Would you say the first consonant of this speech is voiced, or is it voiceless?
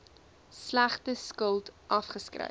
voiceless